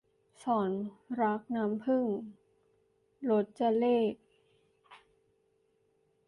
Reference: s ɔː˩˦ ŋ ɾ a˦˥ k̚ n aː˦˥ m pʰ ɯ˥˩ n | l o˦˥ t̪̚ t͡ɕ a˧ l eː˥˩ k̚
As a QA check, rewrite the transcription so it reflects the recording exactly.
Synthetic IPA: s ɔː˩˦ n ɾ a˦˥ k̚ n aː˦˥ m pʰ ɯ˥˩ ŋ | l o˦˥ t̪̚ t͡ɕ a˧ l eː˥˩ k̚